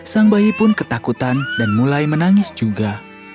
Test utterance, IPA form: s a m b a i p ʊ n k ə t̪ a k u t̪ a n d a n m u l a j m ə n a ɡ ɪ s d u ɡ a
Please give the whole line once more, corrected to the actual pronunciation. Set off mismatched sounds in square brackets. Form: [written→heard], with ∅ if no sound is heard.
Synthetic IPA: s a [m→ŋ] b a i p ʊ n k ə t̪ a k u t̪ a n d a n m u l a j m ə n a [ɡ→ŋ] ɪ s [d→d͡ʒ] u ɡ a